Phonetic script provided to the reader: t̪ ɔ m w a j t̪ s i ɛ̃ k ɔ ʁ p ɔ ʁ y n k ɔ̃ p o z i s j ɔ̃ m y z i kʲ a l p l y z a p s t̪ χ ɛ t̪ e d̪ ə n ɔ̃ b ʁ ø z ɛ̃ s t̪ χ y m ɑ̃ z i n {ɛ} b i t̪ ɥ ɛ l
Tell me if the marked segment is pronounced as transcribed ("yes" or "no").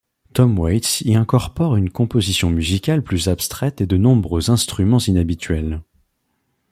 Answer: no